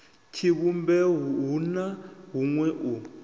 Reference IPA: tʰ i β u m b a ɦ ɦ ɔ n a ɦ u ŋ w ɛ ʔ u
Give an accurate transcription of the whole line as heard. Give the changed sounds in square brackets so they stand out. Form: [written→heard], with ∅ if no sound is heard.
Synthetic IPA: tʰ i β u m b [a→ɛ] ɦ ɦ [ɔ→u] n a ɦ u ŋ w ɛ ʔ u